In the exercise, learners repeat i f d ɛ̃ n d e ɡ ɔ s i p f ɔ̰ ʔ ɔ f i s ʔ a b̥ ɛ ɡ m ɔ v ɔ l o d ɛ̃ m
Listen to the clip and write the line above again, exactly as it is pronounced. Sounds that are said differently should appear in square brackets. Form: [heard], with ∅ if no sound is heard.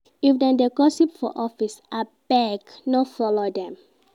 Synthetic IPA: i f d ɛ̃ n d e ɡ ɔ s i p f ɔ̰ ʔ ɔ f i s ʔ a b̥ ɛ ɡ [n] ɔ [f] ɔ l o d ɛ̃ m

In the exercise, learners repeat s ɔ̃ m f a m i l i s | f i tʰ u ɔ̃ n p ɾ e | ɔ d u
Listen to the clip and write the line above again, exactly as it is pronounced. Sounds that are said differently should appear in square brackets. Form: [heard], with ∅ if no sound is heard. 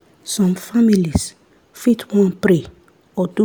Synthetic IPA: s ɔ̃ m f a m i l i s | f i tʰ [w] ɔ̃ n p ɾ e | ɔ d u

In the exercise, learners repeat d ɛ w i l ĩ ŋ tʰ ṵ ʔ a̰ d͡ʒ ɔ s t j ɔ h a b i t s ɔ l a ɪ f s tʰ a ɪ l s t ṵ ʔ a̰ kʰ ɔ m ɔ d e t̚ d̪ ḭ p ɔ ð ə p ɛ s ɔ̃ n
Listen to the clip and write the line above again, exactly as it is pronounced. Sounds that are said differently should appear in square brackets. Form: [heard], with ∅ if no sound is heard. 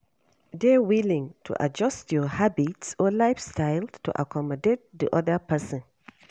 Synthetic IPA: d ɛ w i l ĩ ŋ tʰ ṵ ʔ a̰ d͡ʒ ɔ s t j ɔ h a b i t s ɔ l a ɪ f s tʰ a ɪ l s t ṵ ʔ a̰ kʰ ɔ m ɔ d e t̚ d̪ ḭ [ʔ] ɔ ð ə p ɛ s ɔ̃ n

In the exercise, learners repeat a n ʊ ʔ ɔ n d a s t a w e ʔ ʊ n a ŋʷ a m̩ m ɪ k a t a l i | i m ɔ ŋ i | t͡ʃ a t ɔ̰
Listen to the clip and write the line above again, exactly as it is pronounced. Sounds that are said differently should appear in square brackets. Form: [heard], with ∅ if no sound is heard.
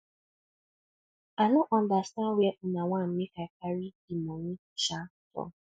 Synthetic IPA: a n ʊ ʔ ɔ n d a s t a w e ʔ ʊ n a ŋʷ a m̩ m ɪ k a [k] a [ɾ] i | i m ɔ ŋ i | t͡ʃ a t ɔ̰

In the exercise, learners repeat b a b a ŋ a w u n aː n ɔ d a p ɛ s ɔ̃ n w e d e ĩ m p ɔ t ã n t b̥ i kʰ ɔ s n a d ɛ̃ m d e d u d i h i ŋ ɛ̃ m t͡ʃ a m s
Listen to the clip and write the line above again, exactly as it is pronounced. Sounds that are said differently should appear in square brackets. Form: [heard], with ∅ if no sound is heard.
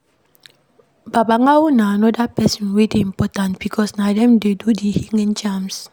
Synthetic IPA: b a b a ŋ a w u n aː n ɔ d a p ɛ s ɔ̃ n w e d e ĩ m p ɔ t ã n t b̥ i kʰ ɔ s n a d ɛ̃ m d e d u d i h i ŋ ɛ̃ [n] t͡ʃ a m s

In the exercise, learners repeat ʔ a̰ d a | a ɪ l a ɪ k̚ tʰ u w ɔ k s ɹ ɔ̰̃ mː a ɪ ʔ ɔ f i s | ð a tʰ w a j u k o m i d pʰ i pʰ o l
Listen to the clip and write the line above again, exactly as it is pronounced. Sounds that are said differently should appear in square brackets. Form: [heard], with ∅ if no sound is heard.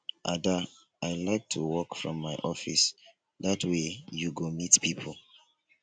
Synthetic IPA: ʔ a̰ d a | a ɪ l a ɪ k̚ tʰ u w ɔ k [f] ɹ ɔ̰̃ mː a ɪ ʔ ɔ f i s | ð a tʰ w [e] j u [ɡ] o m i [t] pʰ i pʰ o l

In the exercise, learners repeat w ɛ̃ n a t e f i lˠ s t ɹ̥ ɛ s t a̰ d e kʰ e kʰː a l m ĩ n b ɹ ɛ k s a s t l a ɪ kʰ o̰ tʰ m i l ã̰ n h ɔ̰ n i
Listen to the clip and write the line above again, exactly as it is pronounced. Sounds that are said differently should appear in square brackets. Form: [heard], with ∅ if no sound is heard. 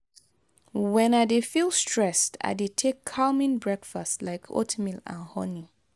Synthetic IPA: w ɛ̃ n a [d] e f i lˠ s t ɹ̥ ɛ s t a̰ d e [tʰ] e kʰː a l m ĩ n b ɹ ɛ k [f] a s t l a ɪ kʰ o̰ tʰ m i l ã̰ n h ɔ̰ n i

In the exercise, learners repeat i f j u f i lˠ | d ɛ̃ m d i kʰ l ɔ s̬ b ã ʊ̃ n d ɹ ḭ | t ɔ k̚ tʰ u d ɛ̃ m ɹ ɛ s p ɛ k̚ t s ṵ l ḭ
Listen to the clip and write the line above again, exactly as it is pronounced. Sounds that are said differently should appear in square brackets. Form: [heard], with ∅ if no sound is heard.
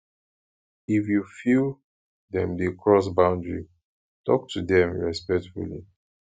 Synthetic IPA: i f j u f i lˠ | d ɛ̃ m d [e] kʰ [ɹ] ɔ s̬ b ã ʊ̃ n d ɹ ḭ | t ɔ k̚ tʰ u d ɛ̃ m ɹ ɛ s p ɛ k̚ t [f] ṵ l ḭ

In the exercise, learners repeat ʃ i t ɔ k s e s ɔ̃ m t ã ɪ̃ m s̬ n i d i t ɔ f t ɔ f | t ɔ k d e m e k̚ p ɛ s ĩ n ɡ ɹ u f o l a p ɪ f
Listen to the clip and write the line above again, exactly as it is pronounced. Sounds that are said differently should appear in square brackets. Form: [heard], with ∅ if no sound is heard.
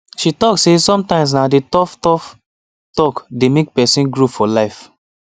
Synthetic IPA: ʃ i t ɔ k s e s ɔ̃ m t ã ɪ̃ m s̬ n [a] d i t ɔ f t ɔ f | t ɔ k d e m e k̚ p ɛ s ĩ n ɡ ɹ u f [ɔ] l a [∅] ɪ f

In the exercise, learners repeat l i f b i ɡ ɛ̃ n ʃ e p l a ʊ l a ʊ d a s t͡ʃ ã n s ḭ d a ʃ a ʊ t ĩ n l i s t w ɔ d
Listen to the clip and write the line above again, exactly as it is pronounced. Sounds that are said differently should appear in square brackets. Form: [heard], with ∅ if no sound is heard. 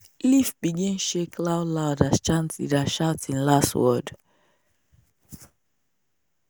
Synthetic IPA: l i f b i ɡ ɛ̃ n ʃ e [k] l a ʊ l a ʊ d a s t͡ʃ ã n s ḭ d a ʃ a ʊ t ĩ n l [a] s t w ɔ d

